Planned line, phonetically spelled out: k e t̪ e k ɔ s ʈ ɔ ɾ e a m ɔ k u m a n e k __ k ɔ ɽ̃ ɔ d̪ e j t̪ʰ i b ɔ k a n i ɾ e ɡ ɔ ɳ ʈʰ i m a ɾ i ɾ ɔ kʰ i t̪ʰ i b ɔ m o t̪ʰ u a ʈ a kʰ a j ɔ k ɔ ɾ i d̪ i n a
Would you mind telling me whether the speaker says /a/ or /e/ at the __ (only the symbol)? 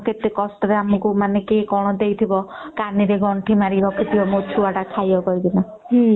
e